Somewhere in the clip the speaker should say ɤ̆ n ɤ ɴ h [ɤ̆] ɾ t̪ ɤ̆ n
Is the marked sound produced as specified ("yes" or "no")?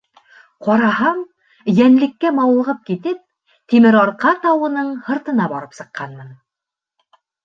yes